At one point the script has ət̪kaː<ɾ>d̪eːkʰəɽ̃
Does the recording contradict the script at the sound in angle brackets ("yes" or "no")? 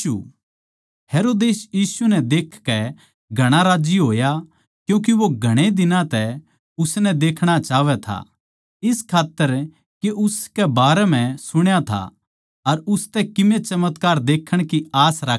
no